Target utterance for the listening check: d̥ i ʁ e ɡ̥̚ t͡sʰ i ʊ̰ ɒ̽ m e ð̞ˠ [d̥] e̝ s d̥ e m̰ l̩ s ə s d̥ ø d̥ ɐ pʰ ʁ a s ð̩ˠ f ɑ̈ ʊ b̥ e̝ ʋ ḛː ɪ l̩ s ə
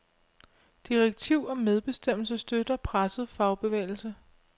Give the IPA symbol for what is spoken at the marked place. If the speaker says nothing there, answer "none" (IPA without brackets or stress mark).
b̥